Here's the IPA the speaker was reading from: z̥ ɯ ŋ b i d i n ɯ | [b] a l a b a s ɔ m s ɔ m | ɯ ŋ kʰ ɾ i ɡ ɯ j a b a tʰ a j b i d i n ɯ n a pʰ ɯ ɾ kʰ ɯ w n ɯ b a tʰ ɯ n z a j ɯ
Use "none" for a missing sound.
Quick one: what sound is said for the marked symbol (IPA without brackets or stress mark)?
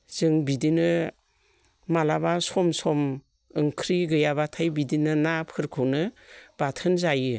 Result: m